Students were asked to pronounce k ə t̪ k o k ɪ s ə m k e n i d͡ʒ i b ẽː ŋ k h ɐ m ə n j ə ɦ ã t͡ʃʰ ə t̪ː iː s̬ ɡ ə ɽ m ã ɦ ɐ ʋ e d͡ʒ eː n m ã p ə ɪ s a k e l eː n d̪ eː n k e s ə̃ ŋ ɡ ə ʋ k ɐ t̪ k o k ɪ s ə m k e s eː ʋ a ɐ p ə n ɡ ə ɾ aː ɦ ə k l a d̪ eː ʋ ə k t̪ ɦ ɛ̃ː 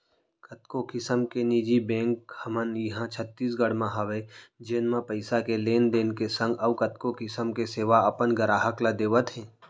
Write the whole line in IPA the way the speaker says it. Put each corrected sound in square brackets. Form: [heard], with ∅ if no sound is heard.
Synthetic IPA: k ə t̪ k o k ɪ s ə m k e n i d͡ʒ i b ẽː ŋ k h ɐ m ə n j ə ɦ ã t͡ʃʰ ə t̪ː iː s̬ ɡ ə ɽ m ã ɦ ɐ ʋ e d͡ʒ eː n m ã p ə ɪ s a k e l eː n d̪ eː n k e s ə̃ ŋ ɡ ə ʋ k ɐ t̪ k o k ɪ s ə m k e s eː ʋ a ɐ p ə n ɡ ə ɾ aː ɦ ə k l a d̪ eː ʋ ə [∅] t̪ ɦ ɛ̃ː